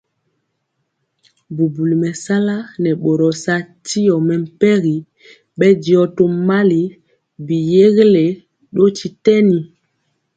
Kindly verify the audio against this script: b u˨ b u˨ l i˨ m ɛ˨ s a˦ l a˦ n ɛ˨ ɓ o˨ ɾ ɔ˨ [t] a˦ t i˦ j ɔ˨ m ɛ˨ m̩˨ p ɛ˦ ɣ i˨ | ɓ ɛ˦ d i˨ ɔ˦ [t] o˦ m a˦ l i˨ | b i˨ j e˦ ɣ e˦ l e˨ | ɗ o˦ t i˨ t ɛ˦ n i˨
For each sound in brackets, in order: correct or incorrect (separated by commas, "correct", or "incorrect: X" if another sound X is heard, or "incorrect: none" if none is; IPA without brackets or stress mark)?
incorrect: s, correct